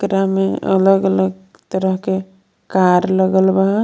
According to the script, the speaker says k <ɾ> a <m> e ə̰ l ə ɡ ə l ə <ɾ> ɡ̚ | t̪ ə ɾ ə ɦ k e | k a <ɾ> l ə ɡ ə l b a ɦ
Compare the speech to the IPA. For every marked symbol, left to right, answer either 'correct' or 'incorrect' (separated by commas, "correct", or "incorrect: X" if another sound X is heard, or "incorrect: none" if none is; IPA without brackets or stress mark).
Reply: correct, correct, incorrect: none, correct